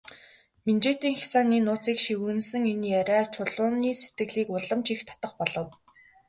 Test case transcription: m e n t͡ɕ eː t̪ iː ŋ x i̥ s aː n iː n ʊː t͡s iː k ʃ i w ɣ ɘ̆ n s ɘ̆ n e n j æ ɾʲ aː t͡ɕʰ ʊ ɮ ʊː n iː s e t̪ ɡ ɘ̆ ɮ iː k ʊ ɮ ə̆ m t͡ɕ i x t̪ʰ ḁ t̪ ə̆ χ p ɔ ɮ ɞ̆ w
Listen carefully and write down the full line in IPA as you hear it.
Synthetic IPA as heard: m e n t͡ɕ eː t̪ iː ŋ x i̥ s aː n iː n ʊː t͡s iː k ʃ i w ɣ ɘ̆ n s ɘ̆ ŋ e n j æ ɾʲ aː t͡ɕʰ ʊ ɮ ʊː n iː s e t̪ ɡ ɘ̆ ɮ iː k ʊ ɮ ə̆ m t͡ɕ i x t̪ʰ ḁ t̪ ə̆ χ p ɔ ɮ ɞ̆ w

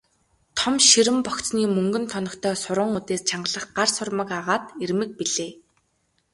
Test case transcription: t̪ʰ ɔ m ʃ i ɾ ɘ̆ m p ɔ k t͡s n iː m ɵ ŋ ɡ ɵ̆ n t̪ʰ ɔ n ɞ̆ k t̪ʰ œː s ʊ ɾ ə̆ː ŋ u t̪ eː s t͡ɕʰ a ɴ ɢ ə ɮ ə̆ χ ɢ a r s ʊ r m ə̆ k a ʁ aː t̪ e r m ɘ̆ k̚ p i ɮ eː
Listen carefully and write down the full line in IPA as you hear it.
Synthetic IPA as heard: t̪ʰ ɔ m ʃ i ɾ ɘ̆ m p ɔ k t͡s n iː m ɵ ŋ ɡ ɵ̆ n t̪ʰ ɔ n ɞ̆ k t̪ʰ œː s ʊ ɾ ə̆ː ŋ u t̪ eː s t͡ɕʰ a ɴ ɢ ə ɮ ə̆ χ ɢ a r s ʊ r m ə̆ k a ʁ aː t̪ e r m ɘ̆ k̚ p i ɮ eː

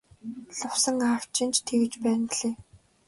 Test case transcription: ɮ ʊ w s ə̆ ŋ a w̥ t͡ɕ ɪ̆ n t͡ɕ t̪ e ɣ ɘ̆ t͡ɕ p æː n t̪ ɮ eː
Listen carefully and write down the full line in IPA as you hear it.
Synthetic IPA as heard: ɮ ʊ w s ə̆ ŋ a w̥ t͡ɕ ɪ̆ n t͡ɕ t̪ʰ e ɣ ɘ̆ t͡ɕ p æː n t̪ ɮ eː

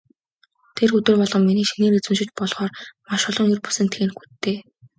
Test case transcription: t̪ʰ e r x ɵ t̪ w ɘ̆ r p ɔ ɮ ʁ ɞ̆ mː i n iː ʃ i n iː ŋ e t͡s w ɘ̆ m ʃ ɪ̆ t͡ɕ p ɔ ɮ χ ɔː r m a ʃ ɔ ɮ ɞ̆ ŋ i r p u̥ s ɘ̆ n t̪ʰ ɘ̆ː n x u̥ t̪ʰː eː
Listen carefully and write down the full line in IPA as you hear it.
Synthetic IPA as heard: t̪ʰ e r x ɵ t̪ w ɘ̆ r p ɔ ɮ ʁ ɞ̆ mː i n iː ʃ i n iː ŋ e t͡s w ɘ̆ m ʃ ɪ̆ t͡ɕ p ɔ ɮ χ ɔː r m a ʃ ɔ ɮ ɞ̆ ŋ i r p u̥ s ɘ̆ n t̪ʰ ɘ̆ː n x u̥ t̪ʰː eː

